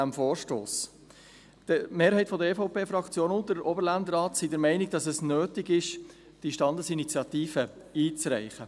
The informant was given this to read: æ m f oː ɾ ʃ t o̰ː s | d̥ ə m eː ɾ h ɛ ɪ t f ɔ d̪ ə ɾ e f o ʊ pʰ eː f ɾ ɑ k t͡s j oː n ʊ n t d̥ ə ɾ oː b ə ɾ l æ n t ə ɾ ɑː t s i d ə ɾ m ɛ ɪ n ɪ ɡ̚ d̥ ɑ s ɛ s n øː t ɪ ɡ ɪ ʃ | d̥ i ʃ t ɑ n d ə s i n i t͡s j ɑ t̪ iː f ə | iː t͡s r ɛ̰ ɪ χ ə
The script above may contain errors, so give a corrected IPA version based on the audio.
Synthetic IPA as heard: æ m f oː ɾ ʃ t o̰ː s | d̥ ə m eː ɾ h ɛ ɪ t f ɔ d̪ ə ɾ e f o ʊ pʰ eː f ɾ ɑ k t͡s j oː n ʊ n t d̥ ə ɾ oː b ə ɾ l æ n d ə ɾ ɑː t s i d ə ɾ m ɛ ɪ n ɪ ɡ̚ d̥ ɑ s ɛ s n øː t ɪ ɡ ɪ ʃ | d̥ i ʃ t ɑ n d ə s i n i t͡s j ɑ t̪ iː f ə | iː t͡s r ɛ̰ ɪ χ ə